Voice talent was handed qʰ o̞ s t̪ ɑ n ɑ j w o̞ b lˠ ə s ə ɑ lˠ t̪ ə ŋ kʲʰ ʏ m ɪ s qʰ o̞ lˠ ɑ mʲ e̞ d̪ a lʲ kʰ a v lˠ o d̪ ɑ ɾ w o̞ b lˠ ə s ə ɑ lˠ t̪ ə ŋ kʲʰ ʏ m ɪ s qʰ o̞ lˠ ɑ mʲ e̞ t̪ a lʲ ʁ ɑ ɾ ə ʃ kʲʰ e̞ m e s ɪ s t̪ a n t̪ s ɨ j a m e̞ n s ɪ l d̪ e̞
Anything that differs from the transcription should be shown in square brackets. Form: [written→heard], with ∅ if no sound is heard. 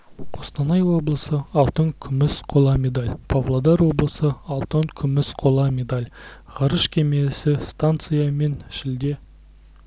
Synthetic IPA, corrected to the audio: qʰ o̞ s t̪ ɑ n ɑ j w o̞ b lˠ ə s ə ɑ lˠ t̪ ə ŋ kʲʰ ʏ m ɪ s qʰ o̞ lˠ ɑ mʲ e̞ d̪ a lʲ [kʰ→pʰ] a v lˠ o d̪ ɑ ɾ w o̞ b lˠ ə s ə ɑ lˠ t̪ ə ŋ kʲʰ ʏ m ɪ s qʰ o̞ lˠ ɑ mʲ e̞ [t̪→d̪] a lʲ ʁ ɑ ɾ ə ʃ kʲʰ e̞ m e s ɪ s t̪ a n t̪ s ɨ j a m e̞ n [s→ʃ] ɪ l d̪ e̞